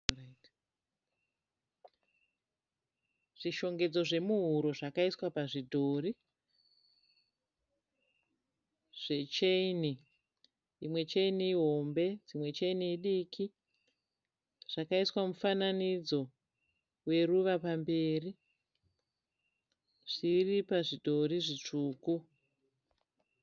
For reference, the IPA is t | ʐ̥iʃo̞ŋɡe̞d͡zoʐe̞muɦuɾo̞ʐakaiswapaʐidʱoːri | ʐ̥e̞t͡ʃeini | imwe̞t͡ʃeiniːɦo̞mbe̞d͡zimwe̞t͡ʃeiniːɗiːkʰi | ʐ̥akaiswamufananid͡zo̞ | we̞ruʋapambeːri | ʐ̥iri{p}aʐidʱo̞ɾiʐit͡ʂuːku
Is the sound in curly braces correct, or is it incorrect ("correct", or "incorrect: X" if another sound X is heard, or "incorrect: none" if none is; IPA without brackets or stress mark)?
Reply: correct